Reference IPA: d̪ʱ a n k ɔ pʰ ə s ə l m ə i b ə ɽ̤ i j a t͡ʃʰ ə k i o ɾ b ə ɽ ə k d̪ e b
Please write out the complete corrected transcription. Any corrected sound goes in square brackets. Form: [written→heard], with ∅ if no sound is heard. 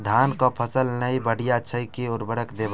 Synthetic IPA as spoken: d̪ʱ a n k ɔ pʰ ə s ə l [m→n] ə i b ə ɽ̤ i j a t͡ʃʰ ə k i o ɾ b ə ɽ ə k d̪ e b